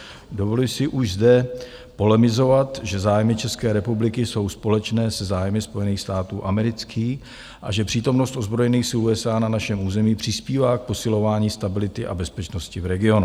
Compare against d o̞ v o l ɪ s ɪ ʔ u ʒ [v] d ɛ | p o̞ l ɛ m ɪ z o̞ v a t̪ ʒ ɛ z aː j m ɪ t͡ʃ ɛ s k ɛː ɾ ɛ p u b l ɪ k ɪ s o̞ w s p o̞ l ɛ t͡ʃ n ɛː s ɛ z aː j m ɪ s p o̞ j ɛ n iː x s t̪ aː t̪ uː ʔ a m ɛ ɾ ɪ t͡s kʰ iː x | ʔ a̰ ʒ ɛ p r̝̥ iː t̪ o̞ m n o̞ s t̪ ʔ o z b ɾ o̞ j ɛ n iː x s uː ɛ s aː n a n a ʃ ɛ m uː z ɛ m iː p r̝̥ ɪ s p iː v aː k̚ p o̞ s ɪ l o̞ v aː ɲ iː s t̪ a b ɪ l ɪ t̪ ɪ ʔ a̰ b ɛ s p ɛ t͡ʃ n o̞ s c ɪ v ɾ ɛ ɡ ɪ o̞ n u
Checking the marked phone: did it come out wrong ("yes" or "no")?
yes